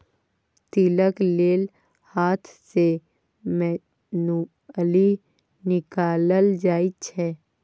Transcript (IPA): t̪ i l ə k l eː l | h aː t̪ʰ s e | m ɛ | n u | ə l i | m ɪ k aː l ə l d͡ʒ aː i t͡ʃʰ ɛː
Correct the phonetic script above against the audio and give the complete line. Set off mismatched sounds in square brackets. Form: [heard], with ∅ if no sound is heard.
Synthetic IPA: t̪ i l ə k l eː l | h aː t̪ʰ s e | m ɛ | n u | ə l i | [n] ɪ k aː l ə l d͡ʒ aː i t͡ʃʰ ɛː